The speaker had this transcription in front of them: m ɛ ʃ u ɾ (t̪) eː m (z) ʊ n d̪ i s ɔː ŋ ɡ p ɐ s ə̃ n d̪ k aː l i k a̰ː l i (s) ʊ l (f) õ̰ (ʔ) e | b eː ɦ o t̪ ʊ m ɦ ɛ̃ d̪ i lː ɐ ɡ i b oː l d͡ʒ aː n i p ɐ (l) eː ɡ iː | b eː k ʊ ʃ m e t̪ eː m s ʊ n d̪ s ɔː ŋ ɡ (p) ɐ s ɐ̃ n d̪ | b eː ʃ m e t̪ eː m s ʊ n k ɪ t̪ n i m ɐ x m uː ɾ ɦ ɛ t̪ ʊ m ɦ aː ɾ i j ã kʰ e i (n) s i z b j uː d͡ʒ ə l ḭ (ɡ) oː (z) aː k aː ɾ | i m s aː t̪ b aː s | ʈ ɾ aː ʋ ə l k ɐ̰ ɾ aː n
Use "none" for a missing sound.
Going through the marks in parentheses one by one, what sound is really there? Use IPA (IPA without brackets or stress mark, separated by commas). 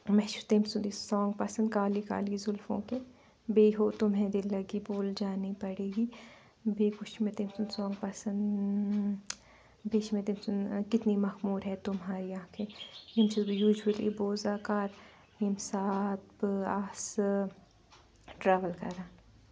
t̪, s, z, f, k, ɽ, p, m, b, z